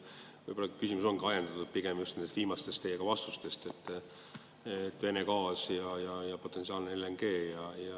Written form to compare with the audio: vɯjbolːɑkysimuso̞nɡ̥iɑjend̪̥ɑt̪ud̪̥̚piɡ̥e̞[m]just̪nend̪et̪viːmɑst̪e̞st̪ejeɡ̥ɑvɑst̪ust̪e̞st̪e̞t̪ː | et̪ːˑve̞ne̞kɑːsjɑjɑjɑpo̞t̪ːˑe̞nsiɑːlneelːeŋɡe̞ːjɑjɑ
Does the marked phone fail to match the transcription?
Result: no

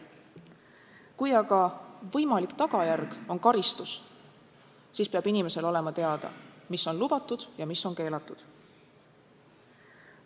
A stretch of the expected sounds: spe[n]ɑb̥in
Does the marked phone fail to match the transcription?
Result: yes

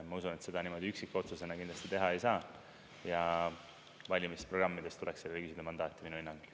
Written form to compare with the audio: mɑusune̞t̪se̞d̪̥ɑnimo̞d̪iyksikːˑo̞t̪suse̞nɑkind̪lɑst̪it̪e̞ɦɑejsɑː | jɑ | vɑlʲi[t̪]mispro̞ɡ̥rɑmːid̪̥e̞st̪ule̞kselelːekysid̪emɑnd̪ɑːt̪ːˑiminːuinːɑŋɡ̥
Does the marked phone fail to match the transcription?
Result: yes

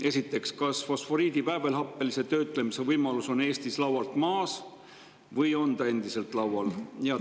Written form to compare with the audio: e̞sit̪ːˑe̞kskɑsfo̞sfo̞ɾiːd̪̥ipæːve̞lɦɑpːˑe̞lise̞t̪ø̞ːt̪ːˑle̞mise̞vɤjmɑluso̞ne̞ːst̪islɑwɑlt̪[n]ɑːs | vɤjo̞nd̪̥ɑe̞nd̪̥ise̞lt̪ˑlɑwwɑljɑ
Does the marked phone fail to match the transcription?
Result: yes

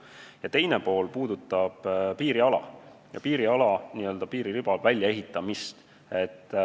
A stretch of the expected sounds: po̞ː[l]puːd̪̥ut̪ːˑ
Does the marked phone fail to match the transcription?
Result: no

